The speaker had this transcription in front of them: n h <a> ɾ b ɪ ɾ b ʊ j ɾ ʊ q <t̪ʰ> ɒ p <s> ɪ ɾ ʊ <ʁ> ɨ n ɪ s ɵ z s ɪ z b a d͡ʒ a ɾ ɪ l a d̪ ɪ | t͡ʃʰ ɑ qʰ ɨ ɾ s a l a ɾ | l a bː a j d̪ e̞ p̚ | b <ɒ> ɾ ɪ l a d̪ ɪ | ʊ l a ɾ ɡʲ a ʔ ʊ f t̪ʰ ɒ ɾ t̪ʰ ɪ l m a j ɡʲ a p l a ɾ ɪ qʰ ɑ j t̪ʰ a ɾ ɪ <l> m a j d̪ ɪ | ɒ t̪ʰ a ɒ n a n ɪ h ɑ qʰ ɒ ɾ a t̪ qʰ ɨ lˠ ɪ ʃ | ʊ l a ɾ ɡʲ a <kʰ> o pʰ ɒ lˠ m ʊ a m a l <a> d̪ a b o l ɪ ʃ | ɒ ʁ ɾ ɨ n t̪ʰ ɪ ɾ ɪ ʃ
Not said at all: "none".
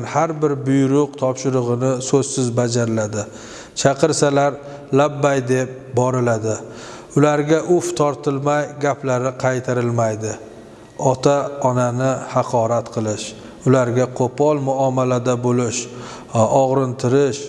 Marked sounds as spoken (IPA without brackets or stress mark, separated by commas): a, t̪ʰ, ʃ, ʁ, ɒ, l, qʰ, a